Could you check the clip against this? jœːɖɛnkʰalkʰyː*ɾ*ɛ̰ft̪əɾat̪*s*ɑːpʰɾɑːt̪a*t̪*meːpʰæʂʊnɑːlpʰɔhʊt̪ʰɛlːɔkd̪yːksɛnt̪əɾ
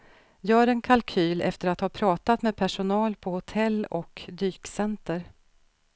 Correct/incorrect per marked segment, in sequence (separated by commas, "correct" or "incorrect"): incorrect, incorrect, correct